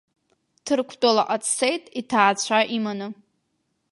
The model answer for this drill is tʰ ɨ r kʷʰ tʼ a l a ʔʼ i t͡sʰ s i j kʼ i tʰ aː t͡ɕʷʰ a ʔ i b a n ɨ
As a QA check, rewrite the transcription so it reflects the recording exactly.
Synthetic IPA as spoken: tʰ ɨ r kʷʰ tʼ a l a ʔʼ a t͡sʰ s e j tʼ i tʰ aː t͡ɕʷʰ a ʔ i m a n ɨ